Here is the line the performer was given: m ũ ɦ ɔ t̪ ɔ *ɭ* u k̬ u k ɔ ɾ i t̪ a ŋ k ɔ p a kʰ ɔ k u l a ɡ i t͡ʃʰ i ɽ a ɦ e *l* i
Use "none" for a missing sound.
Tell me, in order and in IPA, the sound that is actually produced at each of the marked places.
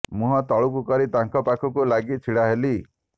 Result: ɭ, l

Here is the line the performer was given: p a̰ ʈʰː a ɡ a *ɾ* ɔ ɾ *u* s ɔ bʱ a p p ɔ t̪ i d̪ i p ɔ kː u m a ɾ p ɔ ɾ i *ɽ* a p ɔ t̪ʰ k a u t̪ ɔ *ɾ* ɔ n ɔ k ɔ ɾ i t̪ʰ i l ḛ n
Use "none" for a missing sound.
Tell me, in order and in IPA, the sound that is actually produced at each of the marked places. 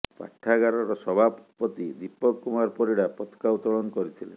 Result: ɾ, ɔ, ɽ, ɭ

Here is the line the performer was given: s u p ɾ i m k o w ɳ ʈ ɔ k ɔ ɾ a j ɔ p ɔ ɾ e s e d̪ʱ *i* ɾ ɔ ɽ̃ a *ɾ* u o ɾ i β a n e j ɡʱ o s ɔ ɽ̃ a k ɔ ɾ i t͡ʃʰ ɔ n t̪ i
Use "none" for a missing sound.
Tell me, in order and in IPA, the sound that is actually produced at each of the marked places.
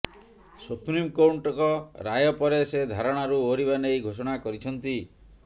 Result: a, ɾ

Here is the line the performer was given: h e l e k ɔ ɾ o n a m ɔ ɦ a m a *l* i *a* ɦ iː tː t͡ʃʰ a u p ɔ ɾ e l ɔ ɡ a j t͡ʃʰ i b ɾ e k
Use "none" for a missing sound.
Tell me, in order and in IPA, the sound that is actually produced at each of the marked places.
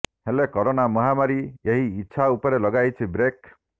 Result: ɾ, e

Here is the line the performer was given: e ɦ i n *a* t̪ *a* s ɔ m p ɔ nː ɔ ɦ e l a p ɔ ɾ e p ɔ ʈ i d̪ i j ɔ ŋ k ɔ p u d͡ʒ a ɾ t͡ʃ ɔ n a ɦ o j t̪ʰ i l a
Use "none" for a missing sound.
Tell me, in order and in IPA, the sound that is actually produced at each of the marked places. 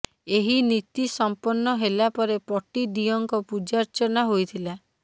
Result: i, i

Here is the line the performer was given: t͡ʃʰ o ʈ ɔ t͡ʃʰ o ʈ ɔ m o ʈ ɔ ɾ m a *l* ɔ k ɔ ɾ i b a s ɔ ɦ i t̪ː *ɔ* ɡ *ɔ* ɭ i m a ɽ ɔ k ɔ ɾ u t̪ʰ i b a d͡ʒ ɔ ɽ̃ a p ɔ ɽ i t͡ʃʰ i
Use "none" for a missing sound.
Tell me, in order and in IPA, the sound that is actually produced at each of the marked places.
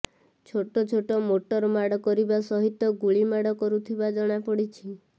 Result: ɽ, ɔ, u

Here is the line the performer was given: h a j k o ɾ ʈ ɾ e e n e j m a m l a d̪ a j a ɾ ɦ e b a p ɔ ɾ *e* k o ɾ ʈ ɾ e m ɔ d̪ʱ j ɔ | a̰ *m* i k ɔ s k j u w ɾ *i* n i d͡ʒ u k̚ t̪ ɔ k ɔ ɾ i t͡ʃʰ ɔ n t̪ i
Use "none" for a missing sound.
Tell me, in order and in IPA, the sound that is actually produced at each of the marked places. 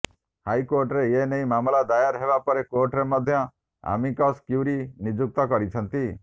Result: e, m, i

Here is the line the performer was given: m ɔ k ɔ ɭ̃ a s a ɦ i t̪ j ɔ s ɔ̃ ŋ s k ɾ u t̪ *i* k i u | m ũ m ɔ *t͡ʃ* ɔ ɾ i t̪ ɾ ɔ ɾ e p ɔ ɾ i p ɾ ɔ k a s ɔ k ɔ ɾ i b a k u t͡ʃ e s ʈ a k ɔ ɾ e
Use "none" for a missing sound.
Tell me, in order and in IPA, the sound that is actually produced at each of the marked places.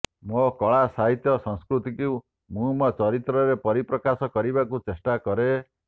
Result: i, t͡ʃ

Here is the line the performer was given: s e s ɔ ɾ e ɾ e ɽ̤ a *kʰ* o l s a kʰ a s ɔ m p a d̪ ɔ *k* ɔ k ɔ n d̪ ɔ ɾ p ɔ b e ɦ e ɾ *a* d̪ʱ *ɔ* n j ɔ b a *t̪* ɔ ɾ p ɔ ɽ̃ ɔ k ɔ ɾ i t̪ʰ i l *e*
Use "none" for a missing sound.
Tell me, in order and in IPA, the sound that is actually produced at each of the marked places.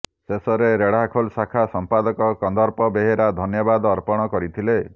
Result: kʰ, k, a, ɔ, d̪, e

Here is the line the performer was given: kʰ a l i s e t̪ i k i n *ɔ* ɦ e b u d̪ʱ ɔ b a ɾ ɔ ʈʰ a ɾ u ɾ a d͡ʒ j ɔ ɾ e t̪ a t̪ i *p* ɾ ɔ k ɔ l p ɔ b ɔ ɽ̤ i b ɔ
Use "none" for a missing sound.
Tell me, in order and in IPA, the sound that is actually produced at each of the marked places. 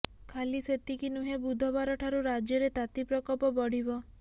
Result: u, p

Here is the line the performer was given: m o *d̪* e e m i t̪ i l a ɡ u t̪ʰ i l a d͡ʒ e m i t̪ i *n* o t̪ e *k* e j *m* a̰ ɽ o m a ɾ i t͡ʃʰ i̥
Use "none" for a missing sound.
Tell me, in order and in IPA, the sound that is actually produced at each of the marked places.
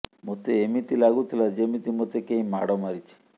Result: t̪, m, k, m

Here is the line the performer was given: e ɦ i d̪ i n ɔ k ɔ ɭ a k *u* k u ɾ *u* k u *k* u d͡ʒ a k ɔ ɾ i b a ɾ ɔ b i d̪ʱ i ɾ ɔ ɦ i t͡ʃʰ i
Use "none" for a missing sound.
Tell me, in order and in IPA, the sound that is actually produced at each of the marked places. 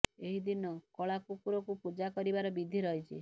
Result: u, ɔ, p

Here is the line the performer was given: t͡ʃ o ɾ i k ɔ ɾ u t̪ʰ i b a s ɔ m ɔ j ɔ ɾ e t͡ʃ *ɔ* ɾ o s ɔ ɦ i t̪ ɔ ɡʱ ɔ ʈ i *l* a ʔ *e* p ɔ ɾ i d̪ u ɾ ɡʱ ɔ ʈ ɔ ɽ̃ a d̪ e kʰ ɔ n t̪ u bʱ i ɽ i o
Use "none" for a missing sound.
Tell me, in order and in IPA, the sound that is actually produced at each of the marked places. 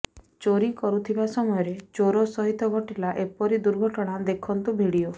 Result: o, l, e

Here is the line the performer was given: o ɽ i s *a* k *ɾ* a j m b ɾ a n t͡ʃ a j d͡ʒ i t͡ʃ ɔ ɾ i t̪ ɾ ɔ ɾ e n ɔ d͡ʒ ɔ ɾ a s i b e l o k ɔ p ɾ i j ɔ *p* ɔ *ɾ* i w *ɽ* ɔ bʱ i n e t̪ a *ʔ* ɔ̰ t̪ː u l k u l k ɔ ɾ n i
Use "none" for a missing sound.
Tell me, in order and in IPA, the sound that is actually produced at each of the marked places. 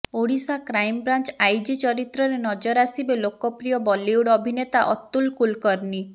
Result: a, ɾ, b, l, ɽ, ʔ

